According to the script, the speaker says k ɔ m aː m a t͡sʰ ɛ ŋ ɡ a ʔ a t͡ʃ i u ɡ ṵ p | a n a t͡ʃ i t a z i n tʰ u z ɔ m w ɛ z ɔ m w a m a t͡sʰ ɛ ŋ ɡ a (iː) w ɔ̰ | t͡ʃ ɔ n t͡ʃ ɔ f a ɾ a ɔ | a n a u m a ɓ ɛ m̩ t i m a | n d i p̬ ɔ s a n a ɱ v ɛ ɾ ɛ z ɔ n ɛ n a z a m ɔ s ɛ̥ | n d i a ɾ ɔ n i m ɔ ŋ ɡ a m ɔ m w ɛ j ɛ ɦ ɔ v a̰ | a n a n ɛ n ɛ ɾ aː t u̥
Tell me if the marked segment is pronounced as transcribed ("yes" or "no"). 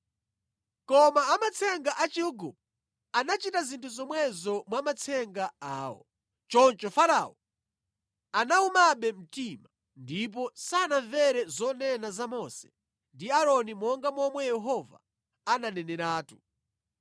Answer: no